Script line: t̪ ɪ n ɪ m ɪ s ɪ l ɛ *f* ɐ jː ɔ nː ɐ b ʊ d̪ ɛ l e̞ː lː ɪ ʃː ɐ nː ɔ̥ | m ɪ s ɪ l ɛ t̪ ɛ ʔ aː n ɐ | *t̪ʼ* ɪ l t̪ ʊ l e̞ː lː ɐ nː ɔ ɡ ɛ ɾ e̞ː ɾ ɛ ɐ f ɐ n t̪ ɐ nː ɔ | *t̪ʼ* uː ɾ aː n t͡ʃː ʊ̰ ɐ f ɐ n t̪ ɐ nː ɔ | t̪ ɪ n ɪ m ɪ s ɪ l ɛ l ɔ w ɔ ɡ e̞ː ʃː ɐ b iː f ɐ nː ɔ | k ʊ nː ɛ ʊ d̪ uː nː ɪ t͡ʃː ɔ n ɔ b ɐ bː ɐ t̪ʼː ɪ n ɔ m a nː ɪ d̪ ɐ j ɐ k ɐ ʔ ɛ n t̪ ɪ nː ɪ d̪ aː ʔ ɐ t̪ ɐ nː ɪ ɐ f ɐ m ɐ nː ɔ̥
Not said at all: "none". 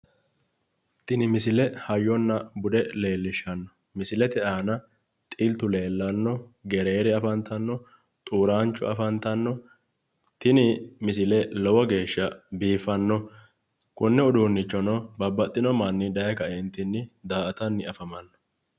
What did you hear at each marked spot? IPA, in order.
h, t̪ʼ, t̪ʼ

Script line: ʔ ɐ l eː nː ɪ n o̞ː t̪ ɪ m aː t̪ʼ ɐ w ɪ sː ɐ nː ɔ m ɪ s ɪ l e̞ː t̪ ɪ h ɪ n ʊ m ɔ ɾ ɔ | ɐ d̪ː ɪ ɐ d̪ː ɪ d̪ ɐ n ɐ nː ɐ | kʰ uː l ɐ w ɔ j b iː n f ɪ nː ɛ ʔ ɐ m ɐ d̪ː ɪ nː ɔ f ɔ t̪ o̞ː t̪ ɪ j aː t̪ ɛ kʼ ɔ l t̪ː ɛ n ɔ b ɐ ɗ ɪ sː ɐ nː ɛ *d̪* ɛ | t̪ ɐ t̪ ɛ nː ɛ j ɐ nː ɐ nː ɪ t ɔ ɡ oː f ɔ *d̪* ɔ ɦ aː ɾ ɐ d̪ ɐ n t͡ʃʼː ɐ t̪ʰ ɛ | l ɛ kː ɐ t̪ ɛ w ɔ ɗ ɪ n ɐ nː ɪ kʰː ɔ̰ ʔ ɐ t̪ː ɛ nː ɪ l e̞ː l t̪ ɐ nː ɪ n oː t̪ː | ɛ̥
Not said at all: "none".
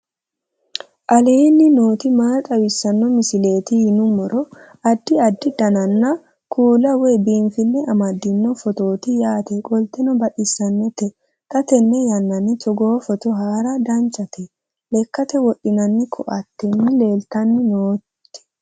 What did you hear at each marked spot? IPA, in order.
t̪, t̪

